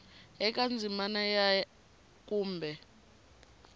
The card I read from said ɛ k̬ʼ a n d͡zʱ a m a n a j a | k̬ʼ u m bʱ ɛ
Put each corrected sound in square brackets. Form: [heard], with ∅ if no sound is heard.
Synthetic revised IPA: ɛ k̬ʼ a n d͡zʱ [i] m a n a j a | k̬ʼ [uː] m bʱ ɛ